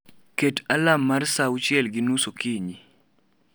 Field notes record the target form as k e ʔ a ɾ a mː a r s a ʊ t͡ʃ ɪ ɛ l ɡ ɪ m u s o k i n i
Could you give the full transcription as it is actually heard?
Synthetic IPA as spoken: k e t a l a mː a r s a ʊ t͡ʃ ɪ ɛ l ɡ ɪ n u s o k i ɲ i